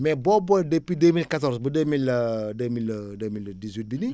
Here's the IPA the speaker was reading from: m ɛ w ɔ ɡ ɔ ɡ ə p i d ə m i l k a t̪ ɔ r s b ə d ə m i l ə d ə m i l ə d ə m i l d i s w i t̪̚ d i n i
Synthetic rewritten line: m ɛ b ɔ b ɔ d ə p i d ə m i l k a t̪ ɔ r s b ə d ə m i l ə d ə m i l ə d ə m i l d i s w i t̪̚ b i n i

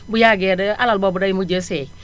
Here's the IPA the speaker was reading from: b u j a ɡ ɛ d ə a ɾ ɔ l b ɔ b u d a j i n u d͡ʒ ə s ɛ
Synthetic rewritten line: b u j a ɡ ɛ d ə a l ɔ l b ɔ b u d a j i m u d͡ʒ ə s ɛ

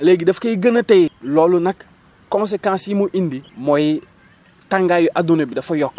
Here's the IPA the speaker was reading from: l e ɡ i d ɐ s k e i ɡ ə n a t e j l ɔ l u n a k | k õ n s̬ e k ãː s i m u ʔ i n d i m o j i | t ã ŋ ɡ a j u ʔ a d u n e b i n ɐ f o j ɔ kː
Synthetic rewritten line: l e ɡ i d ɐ f k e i ɡ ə n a t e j l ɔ l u n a k | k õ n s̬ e k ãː s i m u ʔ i n d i m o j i | t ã ŋ ɡ a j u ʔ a d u n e b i d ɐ f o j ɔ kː

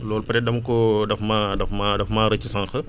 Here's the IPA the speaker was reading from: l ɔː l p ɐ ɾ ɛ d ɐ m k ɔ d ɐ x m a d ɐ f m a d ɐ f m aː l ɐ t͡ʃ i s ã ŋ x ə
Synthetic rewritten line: l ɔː l p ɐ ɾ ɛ d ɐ m k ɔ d ɐ f m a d ɐ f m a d ɐ f m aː ɾ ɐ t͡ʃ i s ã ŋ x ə

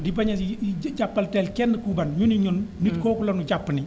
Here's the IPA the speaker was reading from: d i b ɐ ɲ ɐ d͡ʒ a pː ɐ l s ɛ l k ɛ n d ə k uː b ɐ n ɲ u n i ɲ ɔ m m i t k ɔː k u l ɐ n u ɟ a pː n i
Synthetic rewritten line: d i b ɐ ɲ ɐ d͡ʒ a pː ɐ l t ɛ l k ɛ n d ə k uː b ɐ n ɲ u n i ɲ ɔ n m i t k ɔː k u l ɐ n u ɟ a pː n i

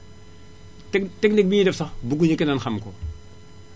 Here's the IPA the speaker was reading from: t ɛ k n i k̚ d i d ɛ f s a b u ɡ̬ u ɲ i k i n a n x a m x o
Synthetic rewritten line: t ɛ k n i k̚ b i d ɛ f s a b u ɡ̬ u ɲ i k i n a n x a m k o

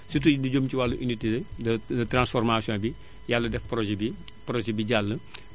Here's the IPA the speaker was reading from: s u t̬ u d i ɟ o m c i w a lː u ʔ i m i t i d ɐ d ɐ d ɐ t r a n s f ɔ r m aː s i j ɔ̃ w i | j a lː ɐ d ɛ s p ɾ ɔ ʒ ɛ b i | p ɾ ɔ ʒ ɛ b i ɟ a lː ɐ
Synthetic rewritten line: s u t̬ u d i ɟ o m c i w a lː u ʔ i n i t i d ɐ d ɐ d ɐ t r a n s f ɔ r m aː s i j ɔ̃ b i | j a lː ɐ d ɛ f p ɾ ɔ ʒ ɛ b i | p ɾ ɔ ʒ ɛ b i ɟ a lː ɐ

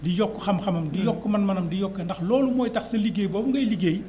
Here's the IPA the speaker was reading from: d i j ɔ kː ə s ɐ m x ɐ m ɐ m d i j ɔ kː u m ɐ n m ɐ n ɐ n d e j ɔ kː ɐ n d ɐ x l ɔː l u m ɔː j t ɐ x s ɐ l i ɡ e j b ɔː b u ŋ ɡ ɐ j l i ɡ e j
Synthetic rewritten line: d i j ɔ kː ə x ɐ m x ɐ m ɐ m d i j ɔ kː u m ɐ n m ɐ n ɐ m d i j ɔ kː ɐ n d ɐ x l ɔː l u m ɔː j t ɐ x s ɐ l i ɡ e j b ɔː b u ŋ ɡ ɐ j l i ɡ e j

